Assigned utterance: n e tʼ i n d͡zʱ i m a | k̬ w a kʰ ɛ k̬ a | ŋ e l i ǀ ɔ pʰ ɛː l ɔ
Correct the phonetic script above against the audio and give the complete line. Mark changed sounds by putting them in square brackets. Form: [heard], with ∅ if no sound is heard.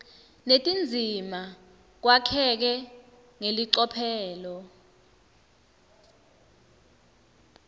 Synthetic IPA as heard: n e tʼ i n d͡zʱ i m a | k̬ w a kʰ ɛ k̬ [ɛ] | ŋ e l i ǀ ɔ pʰ ɛː l ɔ